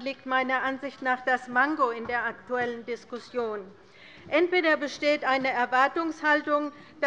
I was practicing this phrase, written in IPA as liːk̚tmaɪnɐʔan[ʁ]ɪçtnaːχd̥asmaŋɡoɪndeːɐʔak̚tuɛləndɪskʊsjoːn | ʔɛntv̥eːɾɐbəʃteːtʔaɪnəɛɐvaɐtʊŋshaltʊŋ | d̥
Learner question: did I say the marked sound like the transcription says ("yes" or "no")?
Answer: no